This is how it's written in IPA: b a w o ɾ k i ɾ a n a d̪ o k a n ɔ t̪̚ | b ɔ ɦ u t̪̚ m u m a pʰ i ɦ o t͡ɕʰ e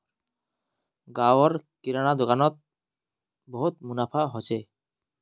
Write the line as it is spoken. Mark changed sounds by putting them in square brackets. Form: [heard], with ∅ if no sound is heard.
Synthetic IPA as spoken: [ɡ] a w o ɾ k i ɾ a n a d̪ o k a n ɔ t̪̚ | b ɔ ɦ u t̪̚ m u [n] a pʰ [a] ɦ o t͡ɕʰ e